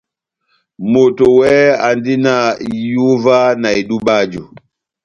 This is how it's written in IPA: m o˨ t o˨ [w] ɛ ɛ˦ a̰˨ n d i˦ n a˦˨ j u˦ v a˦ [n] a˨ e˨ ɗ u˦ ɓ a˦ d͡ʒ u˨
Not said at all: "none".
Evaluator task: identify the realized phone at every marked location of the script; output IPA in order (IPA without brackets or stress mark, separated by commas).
w, n